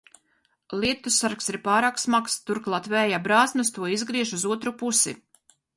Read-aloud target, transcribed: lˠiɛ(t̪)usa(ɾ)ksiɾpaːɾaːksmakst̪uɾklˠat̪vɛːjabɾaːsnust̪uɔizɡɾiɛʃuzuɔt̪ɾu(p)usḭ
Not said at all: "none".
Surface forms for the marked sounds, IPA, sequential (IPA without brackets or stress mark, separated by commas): t̪, ɾ, p